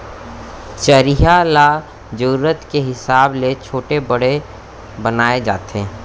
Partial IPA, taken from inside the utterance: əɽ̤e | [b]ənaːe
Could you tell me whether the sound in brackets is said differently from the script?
no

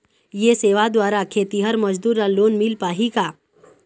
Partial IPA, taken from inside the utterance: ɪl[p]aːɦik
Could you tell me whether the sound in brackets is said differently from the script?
no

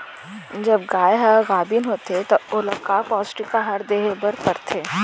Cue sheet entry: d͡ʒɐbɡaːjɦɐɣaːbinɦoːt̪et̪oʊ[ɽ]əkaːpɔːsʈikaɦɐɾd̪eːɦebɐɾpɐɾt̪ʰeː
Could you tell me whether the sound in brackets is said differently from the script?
yes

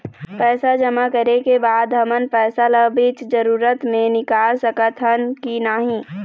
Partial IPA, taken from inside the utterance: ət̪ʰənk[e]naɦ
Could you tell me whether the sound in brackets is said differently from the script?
yes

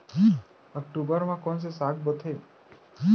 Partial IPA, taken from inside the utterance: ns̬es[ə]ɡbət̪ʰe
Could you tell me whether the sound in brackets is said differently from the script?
yes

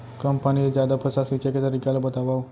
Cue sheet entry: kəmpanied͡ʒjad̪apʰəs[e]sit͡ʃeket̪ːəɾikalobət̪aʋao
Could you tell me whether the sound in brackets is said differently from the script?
yes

